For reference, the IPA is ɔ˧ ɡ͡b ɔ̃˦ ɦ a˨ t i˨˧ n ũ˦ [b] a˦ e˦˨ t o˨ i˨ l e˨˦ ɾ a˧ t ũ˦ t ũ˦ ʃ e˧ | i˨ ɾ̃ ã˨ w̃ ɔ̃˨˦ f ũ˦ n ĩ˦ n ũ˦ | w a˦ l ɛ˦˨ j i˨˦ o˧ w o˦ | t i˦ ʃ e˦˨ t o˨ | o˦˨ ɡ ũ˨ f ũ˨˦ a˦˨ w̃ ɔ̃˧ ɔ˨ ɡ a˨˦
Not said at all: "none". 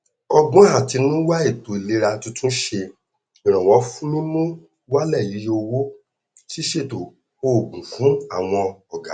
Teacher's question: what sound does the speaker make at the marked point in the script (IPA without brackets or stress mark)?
w